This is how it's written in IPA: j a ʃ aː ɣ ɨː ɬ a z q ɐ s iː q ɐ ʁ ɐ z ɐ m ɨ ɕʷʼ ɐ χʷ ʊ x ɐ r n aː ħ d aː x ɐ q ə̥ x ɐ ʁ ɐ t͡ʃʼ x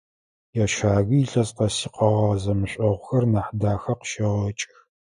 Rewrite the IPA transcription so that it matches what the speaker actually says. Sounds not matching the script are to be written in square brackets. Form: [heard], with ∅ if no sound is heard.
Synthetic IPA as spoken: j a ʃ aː ɣ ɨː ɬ [ɐ] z q ɐ s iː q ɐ ʁ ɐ z ɐ m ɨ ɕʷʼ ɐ [ʁʷ] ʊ x ɐ r n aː ħ d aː x ɐ q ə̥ [ʃ] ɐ ʁ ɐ t͡ʃʼ x